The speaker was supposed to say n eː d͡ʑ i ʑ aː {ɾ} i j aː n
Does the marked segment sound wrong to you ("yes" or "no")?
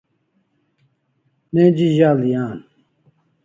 yes